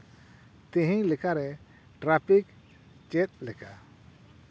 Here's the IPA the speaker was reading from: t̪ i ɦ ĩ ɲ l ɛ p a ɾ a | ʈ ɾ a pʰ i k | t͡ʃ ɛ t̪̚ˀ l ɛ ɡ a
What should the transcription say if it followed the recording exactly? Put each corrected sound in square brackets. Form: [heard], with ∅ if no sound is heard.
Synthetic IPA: t̪ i ɦ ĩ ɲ l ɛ [k] a ɾ [ɛ] | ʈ ɾ a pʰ i k | t͡ʃ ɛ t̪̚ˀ l ɛ [k] a